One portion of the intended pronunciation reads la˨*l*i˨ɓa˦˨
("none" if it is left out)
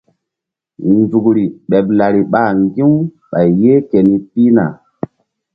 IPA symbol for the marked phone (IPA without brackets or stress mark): ɾ